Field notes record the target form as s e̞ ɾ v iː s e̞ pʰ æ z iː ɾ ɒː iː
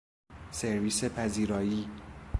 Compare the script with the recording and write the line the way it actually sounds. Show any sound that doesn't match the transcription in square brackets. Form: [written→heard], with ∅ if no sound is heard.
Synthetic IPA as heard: s e̞ ɾ v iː s e̞ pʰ æ z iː ɾ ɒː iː

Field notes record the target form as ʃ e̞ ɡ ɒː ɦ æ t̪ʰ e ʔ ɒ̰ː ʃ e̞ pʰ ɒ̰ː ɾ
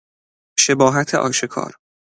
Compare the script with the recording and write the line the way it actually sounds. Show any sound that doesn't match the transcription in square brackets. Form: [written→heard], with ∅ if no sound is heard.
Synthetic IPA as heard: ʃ e̞ [ɡ→b] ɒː ɦ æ t̪ʰ e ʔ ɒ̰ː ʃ e̞ [pʰ→kʰ] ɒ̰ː ɾ

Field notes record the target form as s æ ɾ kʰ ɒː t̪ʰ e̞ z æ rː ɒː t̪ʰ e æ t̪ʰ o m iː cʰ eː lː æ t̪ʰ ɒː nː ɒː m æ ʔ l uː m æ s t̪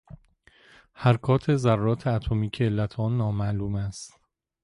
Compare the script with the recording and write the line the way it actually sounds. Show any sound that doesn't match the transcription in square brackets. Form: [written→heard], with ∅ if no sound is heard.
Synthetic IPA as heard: [s→h] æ ɾ kʰ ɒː t̪ʰ e̞ z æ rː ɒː t̪ʰ e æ t̪ʰ o m iː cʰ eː lː æ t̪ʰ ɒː nː ɒː m æ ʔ l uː m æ s t̪

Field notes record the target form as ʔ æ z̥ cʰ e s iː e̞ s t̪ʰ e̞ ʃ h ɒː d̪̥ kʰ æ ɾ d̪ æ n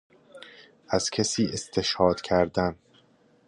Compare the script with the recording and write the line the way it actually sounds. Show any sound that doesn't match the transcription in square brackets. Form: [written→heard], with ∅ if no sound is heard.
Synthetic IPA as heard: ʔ æ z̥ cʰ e s iː e̞ s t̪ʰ e̞ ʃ h ɒː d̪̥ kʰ æ ɾ d̪ æ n

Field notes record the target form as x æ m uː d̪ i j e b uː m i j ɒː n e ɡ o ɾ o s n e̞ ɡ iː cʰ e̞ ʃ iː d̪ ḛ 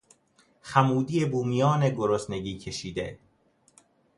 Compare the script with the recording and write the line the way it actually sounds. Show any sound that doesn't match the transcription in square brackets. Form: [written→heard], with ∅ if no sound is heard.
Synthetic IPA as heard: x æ m uː d̪ i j e b uː m i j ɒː n e ɡ o ɾ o s n e̞ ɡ iː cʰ e̞ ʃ iː d̪ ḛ

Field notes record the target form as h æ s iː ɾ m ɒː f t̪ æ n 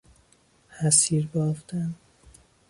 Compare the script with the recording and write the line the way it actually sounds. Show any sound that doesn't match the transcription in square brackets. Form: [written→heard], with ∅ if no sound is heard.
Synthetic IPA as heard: h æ s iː ɾ [m→b] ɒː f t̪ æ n

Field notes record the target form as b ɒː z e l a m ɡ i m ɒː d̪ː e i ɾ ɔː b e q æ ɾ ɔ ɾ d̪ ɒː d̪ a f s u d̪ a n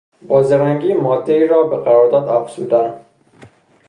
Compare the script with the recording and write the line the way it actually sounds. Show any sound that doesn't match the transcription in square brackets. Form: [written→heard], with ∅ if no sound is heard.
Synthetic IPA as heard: b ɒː z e [l→ɾ] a [m→ŋ] ɡ i m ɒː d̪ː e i ɾ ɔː b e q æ ɾ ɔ ɾ d̪ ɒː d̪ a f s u d̪ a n

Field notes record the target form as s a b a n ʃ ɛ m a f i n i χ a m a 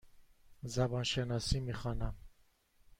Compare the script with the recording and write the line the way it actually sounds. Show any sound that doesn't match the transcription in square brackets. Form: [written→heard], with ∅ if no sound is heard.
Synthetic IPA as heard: [s→z] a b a n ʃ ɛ [m→n] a [f→s] i [n→m] i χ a [m→n] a

